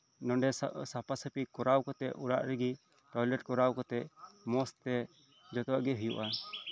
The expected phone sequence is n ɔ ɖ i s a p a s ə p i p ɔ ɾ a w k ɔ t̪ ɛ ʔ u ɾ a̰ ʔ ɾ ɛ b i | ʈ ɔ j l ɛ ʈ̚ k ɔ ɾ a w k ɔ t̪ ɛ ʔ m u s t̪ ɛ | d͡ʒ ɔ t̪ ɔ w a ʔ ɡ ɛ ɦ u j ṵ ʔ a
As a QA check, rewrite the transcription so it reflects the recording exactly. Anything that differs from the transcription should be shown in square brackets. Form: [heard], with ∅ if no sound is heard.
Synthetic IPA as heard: n ɔ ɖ [ɛ] s a p a s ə p i [k] ɔ ɾ a w k ɔ t̪ ɛ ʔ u ɾ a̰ ʔ ɾ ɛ [ɡ] i | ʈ ɔ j l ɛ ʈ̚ k ɔ ɾ a w k ɔ t̪ ɛ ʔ m [ɔ] s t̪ ɛ | d͡ʒ ɔ t̪ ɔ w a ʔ ɡ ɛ ɦ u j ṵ ʔ a